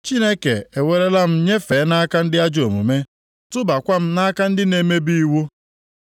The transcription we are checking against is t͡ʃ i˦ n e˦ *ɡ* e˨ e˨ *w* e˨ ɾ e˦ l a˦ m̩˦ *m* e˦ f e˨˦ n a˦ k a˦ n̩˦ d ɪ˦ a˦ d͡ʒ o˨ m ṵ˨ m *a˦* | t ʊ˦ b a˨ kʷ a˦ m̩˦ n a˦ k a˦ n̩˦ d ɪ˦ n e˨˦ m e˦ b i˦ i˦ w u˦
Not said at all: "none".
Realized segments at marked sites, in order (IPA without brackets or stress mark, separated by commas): k, w, ɲ, e˦